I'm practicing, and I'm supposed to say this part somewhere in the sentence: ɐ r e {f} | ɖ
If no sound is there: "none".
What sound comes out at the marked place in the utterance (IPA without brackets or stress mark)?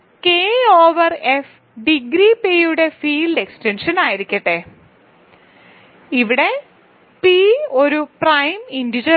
f